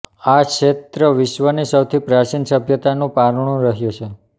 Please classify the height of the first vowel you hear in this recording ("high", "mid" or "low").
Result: low